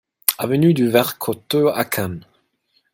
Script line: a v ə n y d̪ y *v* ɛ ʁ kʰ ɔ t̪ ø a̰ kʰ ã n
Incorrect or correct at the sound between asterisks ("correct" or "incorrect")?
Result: correct